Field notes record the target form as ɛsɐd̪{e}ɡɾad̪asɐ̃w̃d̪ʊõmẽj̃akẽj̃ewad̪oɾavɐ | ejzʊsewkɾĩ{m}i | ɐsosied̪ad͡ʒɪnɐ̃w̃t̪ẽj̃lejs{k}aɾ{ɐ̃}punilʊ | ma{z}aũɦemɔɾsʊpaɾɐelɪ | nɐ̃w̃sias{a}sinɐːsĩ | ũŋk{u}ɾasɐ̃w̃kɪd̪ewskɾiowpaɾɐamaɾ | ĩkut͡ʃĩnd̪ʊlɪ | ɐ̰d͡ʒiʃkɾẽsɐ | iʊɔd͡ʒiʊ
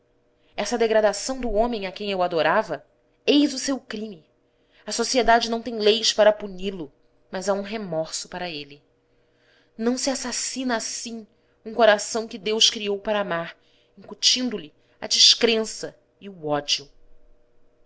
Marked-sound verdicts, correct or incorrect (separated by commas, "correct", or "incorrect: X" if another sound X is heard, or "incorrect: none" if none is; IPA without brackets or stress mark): correct, correct, incorrect: p, incorrect: ɐ, correct, correct, incorrect: o